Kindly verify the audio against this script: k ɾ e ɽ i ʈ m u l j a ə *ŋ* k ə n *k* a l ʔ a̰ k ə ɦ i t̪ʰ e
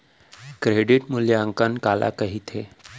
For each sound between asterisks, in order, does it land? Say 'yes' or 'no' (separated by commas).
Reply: yes, yes